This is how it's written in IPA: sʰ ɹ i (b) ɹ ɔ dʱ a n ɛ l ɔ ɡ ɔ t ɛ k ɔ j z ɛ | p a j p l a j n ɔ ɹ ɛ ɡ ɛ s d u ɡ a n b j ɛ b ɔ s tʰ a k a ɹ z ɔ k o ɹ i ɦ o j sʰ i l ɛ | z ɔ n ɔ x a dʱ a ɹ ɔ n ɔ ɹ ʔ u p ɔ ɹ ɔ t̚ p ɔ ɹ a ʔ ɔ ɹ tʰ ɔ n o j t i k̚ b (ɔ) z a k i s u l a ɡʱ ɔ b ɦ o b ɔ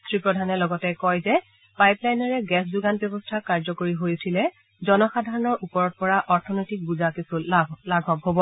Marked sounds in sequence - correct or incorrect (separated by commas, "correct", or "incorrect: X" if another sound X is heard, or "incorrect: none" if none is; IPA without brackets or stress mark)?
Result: incorrect: p, incorrect: u